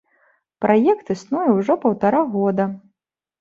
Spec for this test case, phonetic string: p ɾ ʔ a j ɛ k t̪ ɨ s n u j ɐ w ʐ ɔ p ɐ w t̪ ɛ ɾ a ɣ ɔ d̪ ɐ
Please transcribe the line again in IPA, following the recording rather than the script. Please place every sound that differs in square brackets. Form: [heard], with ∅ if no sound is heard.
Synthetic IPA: p ɾ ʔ a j ɛ k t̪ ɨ s n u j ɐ w ʐ ɔ p ɐ w t̪ [a] ɾ a ɣ ɔ d̪ ɐ